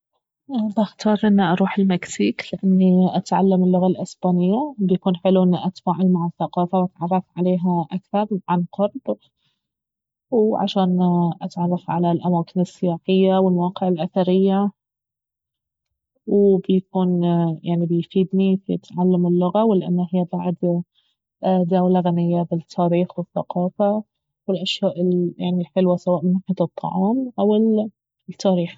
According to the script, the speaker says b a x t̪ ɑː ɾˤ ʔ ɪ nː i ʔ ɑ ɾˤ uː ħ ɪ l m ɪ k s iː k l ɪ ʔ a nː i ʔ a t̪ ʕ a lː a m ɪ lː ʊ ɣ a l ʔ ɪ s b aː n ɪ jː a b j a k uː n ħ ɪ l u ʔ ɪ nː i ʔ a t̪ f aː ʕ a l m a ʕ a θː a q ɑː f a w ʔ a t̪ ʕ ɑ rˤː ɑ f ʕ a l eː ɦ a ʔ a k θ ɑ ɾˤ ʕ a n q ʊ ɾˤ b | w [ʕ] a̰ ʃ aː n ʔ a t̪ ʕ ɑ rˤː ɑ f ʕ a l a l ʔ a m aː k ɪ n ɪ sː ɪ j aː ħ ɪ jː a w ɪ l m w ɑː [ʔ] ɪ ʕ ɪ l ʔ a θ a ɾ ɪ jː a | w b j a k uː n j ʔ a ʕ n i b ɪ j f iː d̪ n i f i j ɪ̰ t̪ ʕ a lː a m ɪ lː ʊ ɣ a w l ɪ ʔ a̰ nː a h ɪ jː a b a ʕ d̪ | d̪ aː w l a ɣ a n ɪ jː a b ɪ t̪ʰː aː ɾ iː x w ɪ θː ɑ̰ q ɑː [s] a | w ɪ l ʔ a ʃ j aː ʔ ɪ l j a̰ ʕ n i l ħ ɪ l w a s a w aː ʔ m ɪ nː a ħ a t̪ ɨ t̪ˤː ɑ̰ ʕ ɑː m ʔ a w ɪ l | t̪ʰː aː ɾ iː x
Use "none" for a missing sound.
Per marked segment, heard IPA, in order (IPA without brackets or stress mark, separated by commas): ʕ, q, f